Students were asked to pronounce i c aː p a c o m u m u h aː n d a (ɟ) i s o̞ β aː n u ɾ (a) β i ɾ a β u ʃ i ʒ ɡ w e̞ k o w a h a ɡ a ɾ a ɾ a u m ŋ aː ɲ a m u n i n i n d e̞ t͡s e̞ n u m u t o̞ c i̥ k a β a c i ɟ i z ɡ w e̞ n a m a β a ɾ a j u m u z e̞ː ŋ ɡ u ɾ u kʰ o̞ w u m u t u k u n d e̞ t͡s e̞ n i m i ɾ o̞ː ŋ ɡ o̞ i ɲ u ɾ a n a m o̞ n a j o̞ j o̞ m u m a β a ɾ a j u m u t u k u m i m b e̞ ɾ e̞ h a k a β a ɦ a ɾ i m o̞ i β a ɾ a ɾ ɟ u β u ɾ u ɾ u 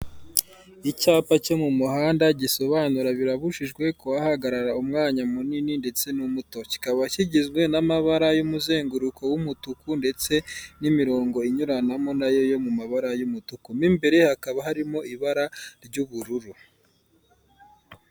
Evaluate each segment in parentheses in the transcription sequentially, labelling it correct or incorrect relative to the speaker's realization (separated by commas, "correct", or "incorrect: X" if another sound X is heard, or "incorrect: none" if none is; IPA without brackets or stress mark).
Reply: correct, correct